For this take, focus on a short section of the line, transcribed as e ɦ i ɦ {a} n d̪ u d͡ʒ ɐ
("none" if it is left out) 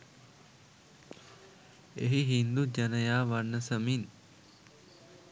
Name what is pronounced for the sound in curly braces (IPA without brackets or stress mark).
i